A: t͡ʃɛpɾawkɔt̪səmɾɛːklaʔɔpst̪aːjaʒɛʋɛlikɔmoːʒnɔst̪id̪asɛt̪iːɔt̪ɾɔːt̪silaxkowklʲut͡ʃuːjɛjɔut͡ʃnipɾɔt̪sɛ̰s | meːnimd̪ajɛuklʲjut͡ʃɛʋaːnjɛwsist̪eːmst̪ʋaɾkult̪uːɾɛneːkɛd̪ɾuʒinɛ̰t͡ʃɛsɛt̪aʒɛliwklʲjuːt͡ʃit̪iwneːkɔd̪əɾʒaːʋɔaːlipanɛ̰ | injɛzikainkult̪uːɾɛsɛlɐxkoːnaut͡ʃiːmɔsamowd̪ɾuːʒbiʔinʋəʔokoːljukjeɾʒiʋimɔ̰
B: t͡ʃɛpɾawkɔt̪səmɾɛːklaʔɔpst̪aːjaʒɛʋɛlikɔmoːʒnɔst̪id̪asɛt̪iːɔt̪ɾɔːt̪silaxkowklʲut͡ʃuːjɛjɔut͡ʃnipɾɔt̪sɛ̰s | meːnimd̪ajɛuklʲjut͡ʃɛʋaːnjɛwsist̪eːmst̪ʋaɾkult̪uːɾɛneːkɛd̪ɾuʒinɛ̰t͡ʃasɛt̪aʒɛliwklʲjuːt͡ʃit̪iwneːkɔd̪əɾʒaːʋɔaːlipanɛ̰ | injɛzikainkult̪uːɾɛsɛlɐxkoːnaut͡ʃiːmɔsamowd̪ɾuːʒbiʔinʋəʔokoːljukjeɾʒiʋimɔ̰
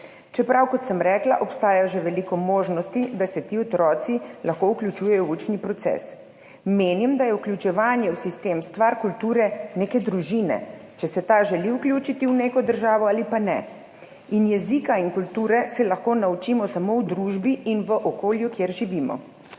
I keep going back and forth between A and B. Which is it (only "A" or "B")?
A